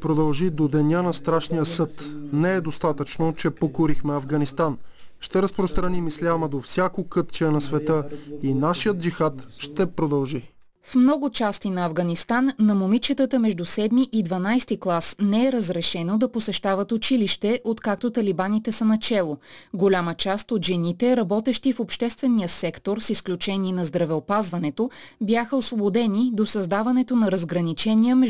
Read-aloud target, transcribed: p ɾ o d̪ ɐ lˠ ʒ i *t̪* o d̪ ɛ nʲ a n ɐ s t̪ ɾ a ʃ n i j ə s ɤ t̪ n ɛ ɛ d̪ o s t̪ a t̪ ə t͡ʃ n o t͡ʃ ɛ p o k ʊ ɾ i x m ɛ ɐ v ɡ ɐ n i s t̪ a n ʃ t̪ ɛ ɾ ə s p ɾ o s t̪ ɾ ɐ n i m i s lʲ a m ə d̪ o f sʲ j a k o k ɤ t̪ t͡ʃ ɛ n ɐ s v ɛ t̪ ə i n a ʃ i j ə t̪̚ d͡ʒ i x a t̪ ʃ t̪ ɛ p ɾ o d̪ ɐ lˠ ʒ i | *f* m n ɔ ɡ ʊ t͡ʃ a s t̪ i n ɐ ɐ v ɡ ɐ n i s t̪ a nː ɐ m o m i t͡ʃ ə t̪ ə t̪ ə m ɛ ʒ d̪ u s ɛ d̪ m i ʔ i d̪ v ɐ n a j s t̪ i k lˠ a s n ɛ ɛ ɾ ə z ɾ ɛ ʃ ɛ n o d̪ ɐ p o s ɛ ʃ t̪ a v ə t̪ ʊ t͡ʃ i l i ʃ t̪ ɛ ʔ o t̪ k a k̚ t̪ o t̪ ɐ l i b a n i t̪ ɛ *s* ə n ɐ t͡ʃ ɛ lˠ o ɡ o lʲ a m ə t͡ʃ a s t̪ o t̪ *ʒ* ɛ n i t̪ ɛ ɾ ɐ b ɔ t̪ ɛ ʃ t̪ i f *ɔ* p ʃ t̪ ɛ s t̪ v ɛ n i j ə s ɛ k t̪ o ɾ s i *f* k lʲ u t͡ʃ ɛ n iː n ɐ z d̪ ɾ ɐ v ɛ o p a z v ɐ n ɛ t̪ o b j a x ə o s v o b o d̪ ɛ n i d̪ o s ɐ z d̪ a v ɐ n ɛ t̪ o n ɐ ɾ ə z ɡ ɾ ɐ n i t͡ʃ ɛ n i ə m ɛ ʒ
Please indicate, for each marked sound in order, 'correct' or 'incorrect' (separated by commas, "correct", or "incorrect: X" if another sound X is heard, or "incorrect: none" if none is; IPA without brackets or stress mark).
incorrect: d̪, correct, correct, correct, incorrect: o, incorrect: s